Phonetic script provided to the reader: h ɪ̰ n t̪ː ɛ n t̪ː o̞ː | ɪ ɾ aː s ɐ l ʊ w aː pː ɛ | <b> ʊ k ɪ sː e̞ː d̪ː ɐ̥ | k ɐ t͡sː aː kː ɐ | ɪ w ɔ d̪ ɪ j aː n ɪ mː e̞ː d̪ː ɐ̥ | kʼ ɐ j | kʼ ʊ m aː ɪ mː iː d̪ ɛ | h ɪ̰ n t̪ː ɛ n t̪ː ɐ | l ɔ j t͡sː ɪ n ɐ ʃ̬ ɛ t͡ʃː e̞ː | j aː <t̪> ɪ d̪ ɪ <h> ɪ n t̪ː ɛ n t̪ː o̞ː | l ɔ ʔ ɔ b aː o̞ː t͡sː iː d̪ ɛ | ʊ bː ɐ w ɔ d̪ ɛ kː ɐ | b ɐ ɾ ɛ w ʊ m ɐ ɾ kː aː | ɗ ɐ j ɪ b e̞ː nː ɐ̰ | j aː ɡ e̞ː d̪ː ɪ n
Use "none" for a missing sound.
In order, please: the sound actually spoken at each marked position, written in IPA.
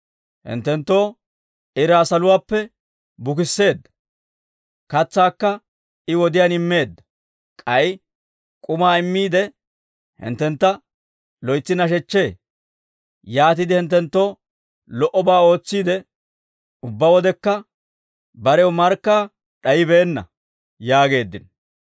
b, t̪, h

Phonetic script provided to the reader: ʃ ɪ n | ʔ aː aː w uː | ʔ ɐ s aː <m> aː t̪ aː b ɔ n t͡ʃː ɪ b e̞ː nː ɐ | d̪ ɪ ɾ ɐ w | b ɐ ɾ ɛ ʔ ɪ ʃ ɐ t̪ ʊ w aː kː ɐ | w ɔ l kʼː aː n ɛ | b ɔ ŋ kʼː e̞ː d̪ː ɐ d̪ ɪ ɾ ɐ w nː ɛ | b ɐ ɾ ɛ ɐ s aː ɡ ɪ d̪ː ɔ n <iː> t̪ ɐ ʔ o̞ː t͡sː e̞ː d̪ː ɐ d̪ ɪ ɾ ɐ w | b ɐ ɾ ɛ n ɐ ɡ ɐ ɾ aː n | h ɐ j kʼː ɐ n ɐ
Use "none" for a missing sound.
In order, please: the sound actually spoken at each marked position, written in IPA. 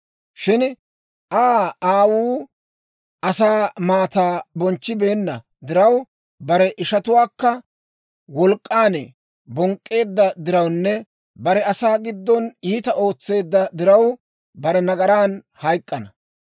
m, iː

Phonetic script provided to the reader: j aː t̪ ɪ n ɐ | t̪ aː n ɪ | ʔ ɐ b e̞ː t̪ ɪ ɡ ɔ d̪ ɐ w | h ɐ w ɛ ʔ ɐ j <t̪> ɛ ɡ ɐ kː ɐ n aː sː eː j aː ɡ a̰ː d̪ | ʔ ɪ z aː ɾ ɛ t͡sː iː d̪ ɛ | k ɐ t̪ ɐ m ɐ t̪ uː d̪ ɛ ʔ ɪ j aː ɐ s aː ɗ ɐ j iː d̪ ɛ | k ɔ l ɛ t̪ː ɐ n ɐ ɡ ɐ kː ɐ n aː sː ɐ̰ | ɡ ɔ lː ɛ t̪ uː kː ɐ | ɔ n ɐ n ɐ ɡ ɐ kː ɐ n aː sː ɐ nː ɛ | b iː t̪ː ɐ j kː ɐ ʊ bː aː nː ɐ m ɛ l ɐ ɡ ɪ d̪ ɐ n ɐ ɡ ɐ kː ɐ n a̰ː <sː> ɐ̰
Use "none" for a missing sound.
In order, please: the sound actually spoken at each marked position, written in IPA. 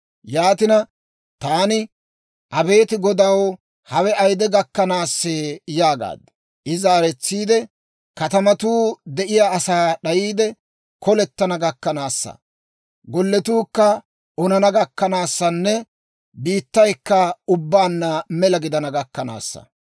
d̪, sː

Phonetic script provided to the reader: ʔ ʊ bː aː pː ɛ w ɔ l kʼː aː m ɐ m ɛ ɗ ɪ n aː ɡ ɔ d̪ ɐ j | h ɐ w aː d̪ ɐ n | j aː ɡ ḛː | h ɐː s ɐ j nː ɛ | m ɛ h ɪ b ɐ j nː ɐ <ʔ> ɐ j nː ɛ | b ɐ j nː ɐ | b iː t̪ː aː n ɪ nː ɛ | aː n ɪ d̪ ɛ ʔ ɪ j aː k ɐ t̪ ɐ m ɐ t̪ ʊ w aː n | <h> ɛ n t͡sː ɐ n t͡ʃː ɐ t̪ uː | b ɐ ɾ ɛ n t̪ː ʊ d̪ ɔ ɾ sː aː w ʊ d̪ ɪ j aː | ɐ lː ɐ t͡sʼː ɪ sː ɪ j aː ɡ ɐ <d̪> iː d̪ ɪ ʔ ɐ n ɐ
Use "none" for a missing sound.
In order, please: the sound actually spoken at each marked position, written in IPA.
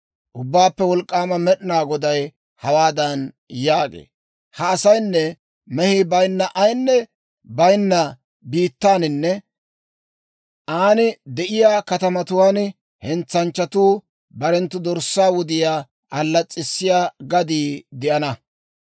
ʔ, h, d̪

